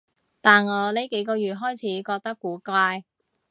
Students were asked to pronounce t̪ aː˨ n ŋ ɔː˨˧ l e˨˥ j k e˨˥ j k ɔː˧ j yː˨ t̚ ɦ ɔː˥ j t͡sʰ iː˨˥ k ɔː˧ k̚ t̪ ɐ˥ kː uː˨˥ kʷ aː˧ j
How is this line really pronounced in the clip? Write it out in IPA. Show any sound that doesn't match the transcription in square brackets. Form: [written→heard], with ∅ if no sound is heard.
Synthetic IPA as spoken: t̪ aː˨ n ŋ ɔː˨˧ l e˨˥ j k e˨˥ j k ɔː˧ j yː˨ t̚ ɦ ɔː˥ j t͡sʰ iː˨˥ k ɔː˧ k̚ t̪ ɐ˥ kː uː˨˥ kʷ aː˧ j